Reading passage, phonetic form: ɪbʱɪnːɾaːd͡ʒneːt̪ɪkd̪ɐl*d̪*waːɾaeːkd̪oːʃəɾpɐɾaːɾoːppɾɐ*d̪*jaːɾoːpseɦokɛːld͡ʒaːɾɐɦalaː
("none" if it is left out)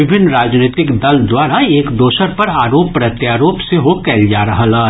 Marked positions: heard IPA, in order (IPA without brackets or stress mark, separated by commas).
d̪, t̪